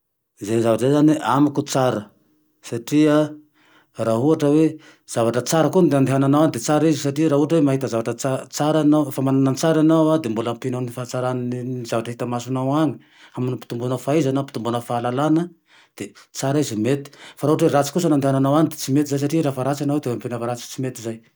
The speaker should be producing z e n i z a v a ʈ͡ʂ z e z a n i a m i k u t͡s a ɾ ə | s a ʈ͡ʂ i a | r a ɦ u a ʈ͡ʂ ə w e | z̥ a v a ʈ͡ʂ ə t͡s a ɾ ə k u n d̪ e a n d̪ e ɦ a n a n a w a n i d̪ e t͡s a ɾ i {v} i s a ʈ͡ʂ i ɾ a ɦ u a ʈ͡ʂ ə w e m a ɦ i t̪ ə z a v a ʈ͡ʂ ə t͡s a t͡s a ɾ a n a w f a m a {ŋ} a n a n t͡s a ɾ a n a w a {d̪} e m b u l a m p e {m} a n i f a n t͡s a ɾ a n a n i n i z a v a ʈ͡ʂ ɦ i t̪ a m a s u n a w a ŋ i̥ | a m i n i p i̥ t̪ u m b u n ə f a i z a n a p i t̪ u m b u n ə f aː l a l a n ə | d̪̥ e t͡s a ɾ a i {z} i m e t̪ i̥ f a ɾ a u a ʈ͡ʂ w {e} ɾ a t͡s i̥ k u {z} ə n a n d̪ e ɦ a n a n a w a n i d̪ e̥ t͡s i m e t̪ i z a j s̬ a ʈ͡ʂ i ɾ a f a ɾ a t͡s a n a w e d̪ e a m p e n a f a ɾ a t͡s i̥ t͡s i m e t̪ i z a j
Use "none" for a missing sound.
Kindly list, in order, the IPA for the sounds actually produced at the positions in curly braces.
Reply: z, n, d̪, n, z, e, s

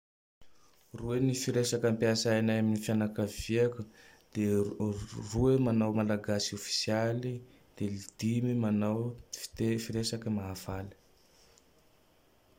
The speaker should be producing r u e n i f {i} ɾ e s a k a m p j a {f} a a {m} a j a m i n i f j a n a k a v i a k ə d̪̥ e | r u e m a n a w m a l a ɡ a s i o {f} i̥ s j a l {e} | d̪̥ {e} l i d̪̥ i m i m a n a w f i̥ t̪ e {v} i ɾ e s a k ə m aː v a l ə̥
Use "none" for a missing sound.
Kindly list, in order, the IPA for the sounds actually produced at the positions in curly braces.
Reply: i, s, n, f, i, e, f

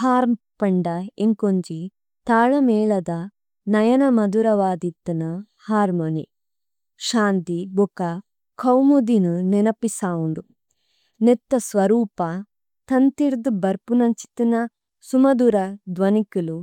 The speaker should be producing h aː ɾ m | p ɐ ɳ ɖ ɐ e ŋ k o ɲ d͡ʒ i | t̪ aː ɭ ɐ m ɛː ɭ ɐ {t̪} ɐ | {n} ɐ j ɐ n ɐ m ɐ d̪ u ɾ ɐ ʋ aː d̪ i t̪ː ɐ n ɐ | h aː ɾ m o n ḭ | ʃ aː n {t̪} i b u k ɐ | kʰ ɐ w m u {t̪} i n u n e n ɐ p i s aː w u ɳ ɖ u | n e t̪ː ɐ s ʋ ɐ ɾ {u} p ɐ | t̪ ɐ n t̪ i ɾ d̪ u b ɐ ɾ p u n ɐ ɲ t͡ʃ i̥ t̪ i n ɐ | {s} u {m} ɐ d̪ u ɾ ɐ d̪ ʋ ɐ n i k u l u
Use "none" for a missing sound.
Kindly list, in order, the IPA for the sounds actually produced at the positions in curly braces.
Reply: d̪, n, t̪, d̪, uː, s, m

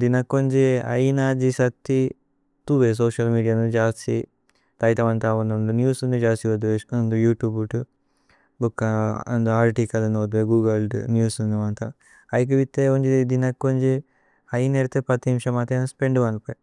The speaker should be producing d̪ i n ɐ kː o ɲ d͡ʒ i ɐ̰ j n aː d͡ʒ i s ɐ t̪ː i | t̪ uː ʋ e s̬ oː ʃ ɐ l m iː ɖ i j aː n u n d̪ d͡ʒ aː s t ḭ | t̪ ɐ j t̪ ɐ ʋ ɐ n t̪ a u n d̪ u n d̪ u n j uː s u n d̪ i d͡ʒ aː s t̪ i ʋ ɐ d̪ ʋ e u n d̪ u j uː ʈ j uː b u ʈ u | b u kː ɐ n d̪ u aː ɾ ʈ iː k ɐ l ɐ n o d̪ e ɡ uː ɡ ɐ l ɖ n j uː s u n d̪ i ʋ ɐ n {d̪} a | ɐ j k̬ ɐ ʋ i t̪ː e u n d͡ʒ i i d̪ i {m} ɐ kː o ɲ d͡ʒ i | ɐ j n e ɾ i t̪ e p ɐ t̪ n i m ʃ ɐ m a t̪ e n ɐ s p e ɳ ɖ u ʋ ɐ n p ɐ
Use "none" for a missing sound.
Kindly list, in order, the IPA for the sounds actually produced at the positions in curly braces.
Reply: t̪, n

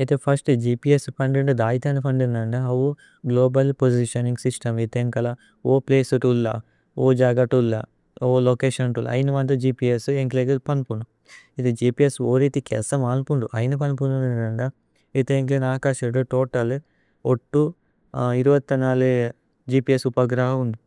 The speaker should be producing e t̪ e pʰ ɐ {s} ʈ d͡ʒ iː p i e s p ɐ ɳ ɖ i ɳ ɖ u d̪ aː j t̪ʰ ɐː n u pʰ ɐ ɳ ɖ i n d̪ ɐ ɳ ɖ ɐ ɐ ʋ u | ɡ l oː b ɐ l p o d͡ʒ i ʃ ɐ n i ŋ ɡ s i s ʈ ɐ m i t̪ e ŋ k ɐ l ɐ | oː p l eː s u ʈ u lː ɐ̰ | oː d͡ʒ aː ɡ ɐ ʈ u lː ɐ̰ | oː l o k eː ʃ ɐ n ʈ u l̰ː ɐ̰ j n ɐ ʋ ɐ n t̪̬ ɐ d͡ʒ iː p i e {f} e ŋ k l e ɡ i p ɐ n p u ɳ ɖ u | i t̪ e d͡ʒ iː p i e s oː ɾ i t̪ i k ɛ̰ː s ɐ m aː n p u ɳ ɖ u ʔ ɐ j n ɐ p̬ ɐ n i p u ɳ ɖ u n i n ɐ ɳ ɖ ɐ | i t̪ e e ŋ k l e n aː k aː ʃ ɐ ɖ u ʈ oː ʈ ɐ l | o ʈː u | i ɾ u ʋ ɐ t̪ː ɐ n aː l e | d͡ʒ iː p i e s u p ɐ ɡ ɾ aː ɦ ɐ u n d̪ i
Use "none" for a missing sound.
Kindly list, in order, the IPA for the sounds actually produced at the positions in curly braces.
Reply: s, s

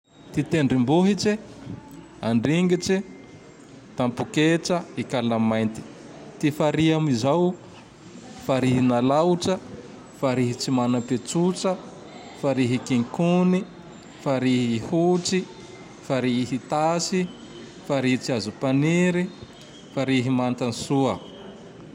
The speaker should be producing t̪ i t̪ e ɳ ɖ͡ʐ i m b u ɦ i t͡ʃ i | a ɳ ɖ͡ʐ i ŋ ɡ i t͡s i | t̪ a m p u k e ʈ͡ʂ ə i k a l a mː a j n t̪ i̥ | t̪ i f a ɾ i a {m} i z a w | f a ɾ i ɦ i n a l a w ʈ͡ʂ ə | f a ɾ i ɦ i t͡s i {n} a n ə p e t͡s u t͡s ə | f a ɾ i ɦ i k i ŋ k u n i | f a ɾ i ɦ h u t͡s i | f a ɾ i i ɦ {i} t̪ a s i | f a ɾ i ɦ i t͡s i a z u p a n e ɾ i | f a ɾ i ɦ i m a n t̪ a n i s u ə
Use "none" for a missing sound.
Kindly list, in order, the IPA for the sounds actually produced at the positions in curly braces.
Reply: m, m, i

